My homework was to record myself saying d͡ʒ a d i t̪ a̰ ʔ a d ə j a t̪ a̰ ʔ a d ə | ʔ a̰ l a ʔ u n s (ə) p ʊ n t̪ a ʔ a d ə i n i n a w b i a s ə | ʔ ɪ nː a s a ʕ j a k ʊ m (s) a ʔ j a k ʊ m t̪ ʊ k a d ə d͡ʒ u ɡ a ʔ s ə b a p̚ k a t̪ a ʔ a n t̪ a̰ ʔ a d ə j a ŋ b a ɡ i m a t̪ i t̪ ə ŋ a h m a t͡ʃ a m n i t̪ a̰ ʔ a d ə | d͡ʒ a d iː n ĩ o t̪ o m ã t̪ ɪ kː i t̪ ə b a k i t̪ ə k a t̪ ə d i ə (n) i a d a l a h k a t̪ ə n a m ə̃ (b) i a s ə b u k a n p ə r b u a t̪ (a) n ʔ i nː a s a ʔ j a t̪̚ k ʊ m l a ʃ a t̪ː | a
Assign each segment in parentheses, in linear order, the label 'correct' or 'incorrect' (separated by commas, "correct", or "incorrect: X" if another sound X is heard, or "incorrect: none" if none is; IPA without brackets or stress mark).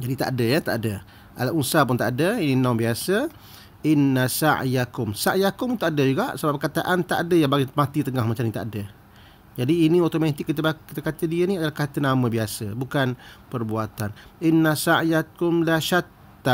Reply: incorrect: a, correct, correct, correct, correct